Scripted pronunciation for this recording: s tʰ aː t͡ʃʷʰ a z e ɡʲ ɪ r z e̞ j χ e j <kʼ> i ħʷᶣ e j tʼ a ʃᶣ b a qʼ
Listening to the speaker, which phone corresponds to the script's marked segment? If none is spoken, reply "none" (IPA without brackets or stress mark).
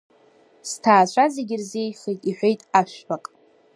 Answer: tʼ